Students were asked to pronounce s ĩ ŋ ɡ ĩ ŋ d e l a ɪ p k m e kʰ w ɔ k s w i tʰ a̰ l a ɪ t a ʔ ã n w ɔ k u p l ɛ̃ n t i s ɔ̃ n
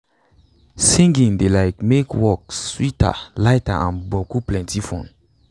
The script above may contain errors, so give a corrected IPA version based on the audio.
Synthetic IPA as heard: s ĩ ŋ ɡ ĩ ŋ d e l a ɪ k m e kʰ w ɔ k s w i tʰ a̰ l a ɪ t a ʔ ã n b ɔ k u p l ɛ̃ n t i f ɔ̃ n